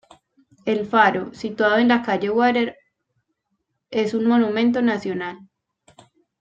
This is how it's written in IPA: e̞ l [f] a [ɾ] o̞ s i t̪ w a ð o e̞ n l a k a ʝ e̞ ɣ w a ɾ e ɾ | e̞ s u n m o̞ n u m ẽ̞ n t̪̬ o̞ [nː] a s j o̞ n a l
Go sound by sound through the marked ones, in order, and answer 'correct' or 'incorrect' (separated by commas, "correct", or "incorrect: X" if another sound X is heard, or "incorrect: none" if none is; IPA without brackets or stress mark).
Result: correct, correct, incorrect: n